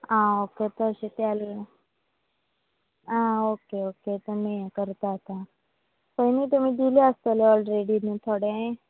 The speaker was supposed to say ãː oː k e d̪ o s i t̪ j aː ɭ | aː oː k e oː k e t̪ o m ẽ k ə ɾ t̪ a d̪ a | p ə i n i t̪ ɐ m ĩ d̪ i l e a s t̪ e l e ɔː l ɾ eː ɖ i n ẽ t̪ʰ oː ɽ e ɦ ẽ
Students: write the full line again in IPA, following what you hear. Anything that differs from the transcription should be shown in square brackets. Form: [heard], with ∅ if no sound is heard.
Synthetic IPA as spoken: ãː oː k e [t̪] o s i t̪ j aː [l] | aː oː k e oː k e t̪ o m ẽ k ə ɾ t̪ a [t̪] a | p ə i n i t̪ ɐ m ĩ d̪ i l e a s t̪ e l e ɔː l ɾ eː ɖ i n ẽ t̪ʰ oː ɽ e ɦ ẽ